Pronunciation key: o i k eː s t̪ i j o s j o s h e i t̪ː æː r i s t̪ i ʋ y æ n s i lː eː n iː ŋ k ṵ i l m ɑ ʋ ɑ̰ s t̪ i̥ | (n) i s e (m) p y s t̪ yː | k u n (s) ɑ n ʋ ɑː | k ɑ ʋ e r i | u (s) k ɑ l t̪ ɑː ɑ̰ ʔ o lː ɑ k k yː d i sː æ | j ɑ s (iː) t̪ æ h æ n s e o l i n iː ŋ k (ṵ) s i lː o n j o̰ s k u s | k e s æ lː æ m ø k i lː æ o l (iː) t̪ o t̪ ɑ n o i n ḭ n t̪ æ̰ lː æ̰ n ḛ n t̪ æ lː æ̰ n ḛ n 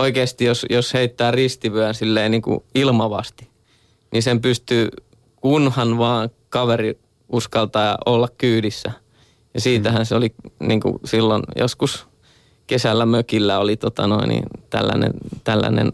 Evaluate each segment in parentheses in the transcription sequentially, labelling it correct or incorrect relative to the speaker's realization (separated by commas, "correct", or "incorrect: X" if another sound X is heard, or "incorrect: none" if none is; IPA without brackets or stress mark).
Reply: correct, correct, incorrect: h, correct, correct, correct, incorrect: i